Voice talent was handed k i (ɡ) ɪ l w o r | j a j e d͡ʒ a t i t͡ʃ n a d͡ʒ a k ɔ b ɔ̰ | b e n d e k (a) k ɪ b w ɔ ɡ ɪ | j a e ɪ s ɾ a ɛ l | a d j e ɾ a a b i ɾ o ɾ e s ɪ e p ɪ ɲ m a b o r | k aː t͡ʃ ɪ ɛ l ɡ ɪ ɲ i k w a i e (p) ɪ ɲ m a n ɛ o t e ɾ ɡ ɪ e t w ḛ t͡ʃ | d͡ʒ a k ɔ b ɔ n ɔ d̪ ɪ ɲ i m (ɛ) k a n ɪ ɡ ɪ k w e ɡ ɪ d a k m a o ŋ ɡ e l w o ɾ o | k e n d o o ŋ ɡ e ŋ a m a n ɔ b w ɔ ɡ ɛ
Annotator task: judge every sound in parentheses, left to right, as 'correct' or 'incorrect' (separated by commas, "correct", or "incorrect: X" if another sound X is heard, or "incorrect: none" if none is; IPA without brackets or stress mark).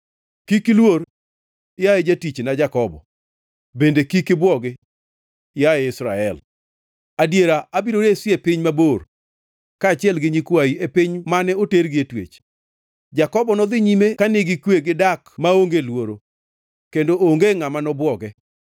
incorrect: k, incorrect: i, correct, incorrect: e